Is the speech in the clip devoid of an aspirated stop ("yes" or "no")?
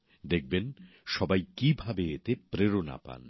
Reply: yes